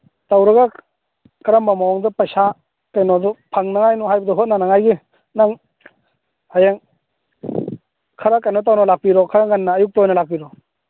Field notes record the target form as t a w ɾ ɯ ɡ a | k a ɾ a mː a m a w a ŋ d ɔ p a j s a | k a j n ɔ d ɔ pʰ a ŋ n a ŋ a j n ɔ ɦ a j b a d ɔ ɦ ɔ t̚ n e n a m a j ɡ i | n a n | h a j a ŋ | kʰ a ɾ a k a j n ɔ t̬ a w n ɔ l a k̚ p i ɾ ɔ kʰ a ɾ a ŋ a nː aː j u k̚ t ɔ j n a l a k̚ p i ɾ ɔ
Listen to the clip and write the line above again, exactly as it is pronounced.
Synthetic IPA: t a w ɾ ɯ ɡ a | k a ɾ a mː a m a w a ŋ d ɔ p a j s a | k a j n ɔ d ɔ pʰ a ŋ n a ŋ a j n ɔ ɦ a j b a d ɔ ɦ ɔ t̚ n a n a ŋ a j ɡ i | n a ŋ | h a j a ŋ | kʰ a ɾ a k a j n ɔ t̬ a w n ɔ l a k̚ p i ɾ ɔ kʰ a ɾ a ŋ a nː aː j u k̚ t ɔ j n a l a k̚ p i ɾ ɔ